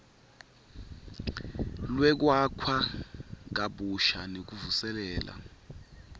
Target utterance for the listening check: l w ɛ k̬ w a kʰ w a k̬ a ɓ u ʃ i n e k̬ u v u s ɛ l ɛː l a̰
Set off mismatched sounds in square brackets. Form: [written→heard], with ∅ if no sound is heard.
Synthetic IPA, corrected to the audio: l w ɛ k̬ w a kʰ w a k̬ a ɓ u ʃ [i→a] n e k̬ u v u s ɛ l ɛː l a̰